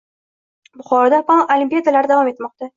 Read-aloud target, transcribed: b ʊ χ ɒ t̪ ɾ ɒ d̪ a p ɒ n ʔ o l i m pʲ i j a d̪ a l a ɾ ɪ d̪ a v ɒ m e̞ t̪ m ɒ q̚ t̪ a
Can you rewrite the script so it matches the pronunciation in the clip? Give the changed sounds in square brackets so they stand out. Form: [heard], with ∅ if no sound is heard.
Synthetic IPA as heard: b ʊ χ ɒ [∅] ɾ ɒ d̪ a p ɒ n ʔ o l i m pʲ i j a d̪ a l a ɾ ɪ d̪ a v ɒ m e̞ t̪ m ɒ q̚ t̪ a

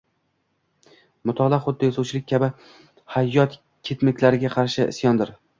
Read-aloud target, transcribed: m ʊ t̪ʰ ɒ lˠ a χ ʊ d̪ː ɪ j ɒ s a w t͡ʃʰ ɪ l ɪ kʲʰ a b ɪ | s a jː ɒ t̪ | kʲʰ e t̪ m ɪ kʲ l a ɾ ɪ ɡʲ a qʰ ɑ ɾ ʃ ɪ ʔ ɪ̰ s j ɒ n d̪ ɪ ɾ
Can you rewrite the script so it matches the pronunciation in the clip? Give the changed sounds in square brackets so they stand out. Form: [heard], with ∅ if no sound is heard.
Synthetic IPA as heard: m ʊ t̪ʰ ɒ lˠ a χ ʊ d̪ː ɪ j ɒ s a w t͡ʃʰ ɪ l ɪ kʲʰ a b ɪ | [h] a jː ɒ t̪ | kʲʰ e t̪ m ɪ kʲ l a ɾ ɪ ɡʲ a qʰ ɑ ɾ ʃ ɪ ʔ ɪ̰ s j ɒ n d̪ ɪ ɾ

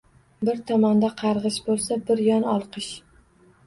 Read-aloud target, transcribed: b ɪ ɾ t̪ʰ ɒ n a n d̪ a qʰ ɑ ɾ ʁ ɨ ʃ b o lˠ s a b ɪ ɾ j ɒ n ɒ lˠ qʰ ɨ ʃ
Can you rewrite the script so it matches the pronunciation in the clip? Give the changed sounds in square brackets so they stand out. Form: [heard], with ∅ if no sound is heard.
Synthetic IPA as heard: b ɪ ɾ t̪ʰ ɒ [m] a n d̪ a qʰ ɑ ɾ ʁ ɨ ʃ b o lˠ s a b ɪ ɾ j ɒ n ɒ lˠ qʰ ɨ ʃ

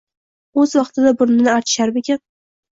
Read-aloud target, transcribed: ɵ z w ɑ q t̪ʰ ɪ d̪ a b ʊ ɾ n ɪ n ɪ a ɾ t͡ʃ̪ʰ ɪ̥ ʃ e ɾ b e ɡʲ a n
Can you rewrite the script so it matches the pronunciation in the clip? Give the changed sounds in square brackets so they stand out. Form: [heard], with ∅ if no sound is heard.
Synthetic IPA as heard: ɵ z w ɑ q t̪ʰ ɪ d̪ a b ʊ ɾ n ɪ n ɪ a ɾ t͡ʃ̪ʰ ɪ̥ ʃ [a] ɾ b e [kʲ] a n

